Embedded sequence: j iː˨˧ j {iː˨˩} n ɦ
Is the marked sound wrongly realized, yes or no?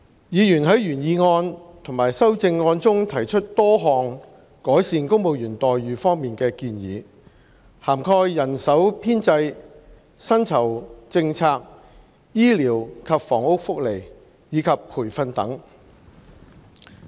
yes